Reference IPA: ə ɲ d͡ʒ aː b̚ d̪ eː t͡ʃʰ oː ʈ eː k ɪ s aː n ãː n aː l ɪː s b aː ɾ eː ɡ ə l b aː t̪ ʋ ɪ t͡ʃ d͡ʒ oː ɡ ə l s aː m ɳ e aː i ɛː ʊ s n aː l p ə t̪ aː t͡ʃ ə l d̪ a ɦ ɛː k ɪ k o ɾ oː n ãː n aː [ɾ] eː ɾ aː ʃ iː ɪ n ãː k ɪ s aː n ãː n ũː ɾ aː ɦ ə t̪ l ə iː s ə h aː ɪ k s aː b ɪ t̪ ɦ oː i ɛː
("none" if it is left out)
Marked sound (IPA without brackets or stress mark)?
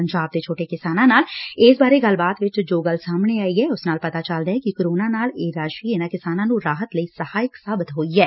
l